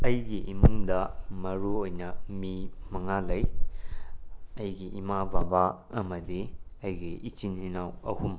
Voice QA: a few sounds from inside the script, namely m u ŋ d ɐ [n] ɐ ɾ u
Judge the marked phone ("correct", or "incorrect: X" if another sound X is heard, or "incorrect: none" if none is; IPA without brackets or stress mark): incorrect: m